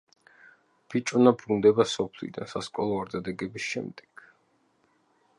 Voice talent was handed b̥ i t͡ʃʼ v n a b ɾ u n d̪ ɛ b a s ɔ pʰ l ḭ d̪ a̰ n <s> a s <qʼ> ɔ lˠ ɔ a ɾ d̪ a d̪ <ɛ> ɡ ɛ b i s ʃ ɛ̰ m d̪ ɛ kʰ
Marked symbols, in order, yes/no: yes, no, yes

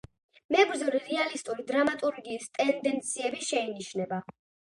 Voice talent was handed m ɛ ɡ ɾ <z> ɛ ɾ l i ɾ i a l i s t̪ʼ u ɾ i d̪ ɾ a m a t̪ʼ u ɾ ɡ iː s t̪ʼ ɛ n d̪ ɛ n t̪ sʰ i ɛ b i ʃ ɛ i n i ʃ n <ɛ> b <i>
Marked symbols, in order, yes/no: yes, yes, no

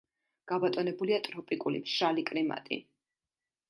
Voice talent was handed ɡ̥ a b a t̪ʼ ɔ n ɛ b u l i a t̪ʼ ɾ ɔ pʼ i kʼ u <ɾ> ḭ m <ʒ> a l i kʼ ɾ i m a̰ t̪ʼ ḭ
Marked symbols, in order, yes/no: no, no

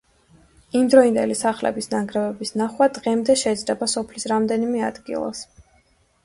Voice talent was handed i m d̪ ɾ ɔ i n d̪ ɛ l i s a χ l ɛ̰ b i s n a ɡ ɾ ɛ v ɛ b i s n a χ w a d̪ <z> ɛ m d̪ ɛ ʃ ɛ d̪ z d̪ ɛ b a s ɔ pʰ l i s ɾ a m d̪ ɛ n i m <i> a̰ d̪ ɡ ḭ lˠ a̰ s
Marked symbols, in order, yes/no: no, no

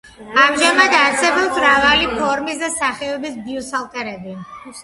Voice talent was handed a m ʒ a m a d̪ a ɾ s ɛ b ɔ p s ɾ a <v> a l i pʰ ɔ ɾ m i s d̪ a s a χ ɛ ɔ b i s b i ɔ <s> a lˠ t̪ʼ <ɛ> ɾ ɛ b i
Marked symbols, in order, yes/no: yes, yes, yes

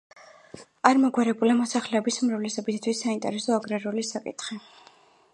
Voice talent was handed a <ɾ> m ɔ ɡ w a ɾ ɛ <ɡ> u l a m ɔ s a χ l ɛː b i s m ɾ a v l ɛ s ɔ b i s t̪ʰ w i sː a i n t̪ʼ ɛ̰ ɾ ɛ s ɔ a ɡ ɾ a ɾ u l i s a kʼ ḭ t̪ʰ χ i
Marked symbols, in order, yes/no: yes, no

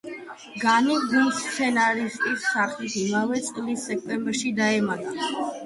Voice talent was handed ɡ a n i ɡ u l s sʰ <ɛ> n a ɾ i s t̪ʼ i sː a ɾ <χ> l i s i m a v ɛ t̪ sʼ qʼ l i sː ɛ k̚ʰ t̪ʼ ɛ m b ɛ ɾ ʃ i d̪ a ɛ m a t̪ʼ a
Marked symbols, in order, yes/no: yes, yes

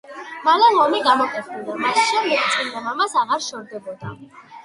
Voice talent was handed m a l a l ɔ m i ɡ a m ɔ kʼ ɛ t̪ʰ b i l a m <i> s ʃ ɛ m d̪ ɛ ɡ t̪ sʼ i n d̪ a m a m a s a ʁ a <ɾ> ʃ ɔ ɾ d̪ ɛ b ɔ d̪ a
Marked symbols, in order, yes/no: no, yes

